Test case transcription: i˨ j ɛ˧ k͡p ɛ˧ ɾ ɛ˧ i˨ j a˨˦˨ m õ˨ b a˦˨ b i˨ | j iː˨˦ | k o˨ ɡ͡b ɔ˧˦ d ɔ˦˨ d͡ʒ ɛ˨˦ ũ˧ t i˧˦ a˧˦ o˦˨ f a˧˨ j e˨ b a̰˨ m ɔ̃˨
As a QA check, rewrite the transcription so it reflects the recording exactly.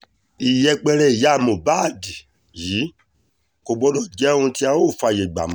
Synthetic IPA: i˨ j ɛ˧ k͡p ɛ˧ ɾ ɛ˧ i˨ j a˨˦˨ m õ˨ b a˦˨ d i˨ | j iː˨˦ | k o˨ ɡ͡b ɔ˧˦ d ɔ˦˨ d͡ʒ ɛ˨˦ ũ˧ t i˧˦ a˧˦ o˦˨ f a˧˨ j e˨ ɡ͡b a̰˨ m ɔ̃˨